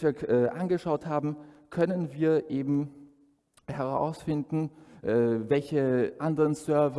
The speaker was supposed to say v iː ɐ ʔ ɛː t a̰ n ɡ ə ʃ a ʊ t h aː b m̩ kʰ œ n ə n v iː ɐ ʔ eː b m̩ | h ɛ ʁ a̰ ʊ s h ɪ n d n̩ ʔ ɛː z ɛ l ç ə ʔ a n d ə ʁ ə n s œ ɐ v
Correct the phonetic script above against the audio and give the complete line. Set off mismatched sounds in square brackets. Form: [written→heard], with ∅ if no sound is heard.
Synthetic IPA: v iː ɐ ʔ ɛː [t→ʔ] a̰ n ɡ ə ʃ a ʊ t h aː b m̩ kʰ œ n ə n v iː ɐ ʔ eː b m̩ | h ɛ ʁ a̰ ʊ s [h→f] ɪ n d n̩ ʔ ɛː [z→v] ɛ l ç ə ʔ a n d ə ʁ ə n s œ ɐ v